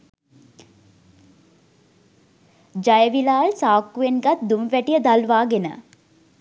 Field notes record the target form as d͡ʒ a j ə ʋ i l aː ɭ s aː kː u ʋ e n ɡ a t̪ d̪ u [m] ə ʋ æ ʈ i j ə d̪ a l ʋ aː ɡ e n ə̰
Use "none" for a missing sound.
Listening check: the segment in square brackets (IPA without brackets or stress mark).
m